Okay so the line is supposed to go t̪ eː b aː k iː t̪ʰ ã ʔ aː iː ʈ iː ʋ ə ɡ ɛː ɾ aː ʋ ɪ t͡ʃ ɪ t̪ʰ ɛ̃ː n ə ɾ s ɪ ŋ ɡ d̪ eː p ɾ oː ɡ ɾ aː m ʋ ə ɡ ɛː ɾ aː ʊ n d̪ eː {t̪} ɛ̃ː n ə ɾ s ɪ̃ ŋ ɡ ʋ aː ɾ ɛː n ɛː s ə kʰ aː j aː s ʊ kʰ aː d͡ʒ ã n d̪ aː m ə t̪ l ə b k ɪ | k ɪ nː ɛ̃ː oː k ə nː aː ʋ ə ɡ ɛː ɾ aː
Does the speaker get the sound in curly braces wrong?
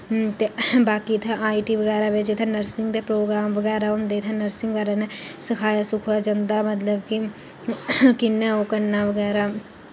yes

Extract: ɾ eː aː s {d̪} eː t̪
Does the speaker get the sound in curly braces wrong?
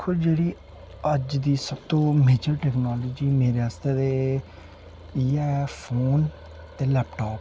yes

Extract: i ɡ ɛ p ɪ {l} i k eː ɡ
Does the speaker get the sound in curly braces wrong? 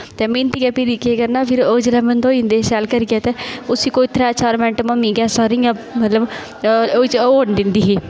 yes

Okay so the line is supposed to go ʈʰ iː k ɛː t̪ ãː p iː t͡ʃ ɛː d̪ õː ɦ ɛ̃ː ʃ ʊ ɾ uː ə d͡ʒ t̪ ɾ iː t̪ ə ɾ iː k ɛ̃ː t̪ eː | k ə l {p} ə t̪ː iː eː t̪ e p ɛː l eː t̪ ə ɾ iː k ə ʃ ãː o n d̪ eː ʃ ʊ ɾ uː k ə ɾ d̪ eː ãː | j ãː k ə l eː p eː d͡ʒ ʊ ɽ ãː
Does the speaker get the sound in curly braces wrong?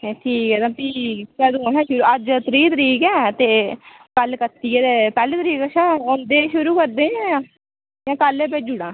yes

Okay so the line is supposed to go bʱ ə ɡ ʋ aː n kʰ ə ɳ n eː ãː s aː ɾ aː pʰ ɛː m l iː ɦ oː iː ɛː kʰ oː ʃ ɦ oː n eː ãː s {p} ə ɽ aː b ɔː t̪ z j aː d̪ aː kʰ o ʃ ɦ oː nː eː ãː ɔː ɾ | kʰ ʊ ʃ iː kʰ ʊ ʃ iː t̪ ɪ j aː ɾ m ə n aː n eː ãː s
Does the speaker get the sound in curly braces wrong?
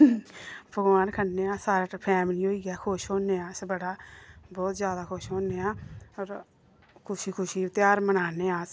yes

